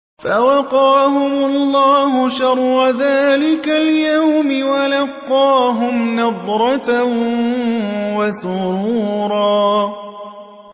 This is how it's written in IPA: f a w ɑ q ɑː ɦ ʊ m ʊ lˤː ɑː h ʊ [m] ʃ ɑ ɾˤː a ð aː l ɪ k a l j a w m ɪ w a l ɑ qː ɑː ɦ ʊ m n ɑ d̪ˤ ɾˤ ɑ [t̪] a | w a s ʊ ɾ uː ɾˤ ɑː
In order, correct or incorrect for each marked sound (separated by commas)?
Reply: incorrect, correct